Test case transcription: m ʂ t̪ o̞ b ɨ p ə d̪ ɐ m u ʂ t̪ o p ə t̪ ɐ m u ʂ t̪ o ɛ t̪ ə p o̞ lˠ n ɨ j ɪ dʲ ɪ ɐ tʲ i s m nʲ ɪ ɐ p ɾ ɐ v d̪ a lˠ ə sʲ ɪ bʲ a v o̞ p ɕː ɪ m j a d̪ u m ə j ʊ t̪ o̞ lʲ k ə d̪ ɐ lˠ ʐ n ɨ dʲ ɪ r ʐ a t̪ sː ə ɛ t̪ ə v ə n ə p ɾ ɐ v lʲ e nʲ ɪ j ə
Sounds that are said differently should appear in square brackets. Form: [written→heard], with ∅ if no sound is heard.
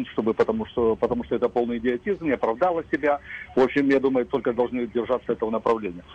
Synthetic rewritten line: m ʂ t̪ o̞ b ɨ p ə [d̪→t̪] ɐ m u ʂ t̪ o p ə t̪ ɐ m u ʂ t̪ o ɛ t̪ ə p o̞ lˠ n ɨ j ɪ dʲ ɪ ɐ tʲ i [s→z] m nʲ ɪ ɐ p ɾ ɐ v d̪ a lˠ ə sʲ ɪ bʲ a v o̞ p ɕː ɪ m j a d̪ u m ə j ʊ t̪ o̞ lʲ k ə d̪ ɐ lˠ ʐ n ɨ dʲ ɪ r ʐ a t̪ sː ə ɛ t̪ ə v ə n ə p ɾ ɐ v lʲ e nʲ ɪ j ə